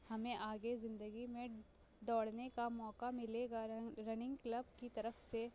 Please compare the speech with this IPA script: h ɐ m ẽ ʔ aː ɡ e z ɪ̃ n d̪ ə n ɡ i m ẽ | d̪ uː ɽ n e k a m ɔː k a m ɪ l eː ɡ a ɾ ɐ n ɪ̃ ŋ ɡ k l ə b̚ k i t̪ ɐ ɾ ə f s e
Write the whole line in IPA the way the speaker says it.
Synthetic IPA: h ɐ m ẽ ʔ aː ɡ e z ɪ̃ n d̪ ə ɡ i m ẽ | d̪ ɔː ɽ n e k a m ɔː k a m ɪ l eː ɡ a ɾ ɐ n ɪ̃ ŋ ɡ k l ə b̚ k i t̪ ɐ ɾ ə f s e